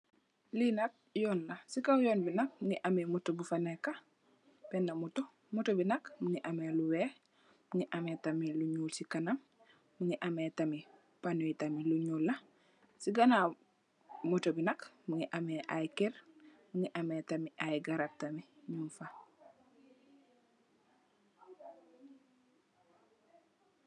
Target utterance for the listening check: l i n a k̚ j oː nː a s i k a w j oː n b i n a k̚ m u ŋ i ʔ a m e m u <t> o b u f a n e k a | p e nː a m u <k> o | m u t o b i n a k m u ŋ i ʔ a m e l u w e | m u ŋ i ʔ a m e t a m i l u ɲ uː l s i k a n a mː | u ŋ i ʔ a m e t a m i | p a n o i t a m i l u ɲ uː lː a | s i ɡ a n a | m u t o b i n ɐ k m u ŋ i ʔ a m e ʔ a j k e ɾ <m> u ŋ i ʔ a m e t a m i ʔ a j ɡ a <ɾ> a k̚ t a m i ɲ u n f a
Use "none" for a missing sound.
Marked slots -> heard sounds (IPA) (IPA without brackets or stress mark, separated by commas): t, t, m, ɾ